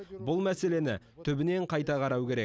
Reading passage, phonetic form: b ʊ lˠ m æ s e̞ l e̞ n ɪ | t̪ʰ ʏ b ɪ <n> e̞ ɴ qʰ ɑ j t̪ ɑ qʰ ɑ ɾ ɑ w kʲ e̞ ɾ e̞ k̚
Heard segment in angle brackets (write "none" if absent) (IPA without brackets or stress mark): n